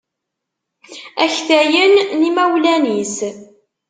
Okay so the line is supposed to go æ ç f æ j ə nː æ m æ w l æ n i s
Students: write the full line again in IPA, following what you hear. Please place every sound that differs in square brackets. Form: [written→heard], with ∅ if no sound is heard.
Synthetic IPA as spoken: æ ç [f→θ] æ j ə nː [æ→i] m æ w l æ n i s